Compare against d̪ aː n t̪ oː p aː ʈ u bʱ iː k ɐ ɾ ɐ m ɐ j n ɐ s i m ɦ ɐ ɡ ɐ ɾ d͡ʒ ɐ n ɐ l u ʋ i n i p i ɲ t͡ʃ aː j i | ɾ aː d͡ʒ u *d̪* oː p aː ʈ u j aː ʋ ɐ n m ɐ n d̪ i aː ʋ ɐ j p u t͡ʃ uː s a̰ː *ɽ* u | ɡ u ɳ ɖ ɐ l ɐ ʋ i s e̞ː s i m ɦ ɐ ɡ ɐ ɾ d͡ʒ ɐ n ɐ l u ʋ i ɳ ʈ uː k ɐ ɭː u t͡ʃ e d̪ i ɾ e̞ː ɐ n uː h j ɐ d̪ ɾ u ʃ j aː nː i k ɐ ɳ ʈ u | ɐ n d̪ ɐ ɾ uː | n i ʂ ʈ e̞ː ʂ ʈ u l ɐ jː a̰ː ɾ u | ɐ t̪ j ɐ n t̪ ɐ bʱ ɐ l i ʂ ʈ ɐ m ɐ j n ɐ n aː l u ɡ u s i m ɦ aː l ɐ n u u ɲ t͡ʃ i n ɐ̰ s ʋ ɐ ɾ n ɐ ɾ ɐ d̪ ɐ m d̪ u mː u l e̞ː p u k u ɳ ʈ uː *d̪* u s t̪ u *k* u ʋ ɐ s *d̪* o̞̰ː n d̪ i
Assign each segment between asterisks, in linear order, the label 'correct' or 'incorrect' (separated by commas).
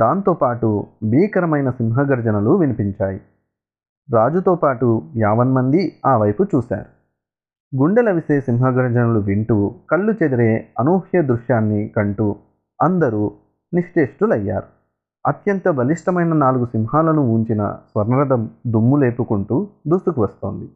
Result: incorrect, incorrect, correct, correct, incorrect